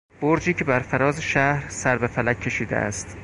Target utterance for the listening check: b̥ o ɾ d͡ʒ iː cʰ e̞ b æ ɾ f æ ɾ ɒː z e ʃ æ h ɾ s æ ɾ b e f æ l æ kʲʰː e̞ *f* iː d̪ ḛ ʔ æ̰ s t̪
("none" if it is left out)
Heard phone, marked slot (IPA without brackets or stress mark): ʃ